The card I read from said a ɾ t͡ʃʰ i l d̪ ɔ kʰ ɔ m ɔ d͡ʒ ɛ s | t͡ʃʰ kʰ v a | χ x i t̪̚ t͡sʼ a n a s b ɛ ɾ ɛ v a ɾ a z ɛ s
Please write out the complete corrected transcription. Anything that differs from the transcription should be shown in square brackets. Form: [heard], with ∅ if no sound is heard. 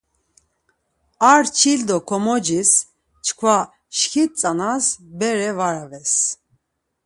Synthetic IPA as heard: a ɾ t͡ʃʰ i l d̪ ɔ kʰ ɔ m ɔ d͡ʒ [i] s | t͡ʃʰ kʰ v a | [ʃ] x i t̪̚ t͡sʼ a n a s b ɛ ɾ ɛ v a ɾ a [v] ɛ s